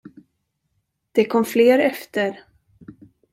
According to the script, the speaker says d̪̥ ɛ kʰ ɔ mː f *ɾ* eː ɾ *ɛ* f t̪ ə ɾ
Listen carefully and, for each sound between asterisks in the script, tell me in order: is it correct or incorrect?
incorrect: l, correct

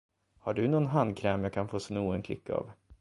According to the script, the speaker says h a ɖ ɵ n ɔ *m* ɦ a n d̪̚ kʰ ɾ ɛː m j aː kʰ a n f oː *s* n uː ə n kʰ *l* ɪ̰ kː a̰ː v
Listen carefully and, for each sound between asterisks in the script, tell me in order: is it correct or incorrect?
incorrect: n, correct, correct

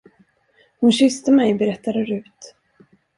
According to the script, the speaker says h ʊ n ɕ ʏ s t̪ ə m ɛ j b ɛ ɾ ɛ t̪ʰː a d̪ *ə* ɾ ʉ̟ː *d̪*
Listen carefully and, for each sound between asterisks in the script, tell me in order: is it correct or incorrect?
correct, incorrect: t̪

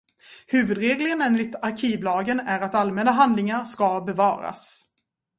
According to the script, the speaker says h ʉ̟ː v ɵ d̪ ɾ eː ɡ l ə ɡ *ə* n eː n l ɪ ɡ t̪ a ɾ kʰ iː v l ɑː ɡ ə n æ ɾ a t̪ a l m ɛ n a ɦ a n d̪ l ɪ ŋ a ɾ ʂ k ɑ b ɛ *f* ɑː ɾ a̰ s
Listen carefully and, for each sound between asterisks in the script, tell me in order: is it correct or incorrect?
correct, incorrect: v

